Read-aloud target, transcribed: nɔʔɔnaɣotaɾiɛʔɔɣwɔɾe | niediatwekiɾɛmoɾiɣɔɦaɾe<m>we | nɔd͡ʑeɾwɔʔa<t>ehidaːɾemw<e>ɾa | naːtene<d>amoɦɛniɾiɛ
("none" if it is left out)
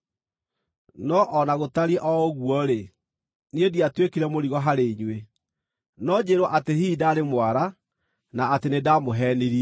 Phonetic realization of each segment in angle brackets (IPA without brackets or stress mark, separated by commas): ɲ, t, a, d